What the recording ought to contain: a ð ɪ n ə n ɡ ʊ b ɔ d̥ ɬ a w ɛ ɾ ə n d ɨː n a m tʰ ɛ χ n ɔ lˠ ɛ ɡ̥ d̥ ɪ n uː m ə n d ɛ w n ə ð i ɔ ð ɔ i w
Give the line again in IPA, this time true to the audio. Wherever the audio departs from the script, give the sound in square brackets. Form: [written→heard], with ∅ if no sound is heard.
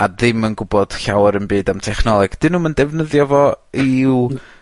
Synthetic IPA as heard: a ð ɪ [n→m] ə n ɡ ʊ b ɔ d̥ ɬ a w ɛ ɾ ə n [d→b] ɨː [n→d] a m tʰ ɛ χ n ɔ lˠ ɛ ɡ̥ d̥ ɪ n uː m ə n d ɛ [w→v] n ə ð [i→j] ɔ [ð→v] ɔ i w